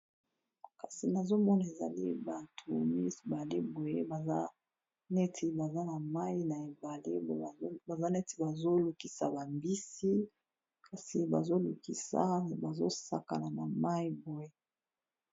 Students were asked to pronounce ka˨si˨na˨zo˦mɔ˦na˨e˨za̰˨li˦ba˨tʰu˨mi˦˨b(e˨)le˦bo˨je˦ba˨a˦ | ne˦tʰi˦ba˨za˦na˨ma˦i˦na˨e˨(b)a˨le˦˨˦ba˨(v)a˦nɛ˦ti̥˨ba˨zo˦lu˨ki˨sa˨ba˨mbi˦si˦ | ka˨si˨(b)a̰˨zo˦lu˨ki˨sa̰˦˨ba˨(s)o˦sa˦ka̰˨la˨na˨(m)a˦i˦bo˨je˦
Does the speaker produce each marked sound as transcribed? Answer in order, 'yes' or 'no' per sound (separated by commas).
no, yes, no, yes, no, yes